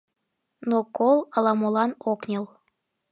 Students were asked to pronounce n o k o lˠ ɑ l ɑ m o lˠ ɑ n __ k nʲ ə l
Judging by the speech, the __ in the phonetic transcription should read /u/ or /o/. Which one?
o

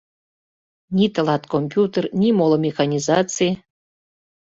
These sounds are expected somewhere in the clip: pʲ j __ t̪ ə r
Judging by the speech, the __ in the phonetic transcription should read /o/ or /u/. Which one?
u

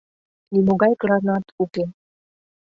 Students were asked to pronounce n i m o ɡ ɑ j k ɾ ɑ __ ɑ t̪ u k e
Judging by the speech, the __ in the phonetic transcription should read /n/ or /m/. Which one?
n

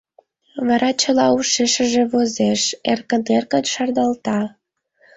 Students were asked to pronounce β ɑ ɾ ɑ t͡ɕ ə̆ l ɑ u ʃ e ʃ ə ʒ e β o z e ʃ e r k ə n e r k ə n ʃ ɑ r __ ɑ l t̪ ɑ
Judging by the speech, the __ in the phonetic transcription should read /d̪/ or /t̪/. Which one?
d̪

